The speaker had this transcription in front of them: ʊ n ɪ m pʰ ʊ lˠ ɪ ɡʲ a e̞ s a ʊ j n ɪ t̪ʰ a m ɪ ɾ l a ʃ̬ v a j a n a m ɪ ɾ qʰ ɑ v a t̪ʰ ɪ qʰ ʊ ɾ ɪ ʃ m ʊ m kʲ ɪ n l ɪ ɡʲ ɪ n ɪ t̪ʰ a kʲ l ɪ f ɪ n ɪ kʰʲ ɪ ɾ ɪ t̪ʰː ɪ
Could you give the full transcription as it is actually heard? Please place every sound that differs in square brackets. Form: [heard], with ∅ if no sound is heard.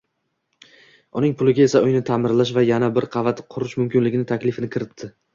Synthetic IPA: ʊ n ɪ [ŋ] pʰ ʊ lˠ ɪ ɡʲ a e̞ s a ʊ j n ɪ t̪ʰ a m ɪ ɾ l a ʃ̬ v a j a n a [b] ɪ ɾ qʰ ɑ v a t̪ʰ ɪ qʰ ʊ ɾ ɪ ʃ m ʊ m kʲ ɪ n l ɪ ɡʲ ɪ n ɪ t̪ʰ a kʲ l ɪ f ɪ n ɪ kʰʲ ɪ ɾ ɪ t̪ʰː ɪ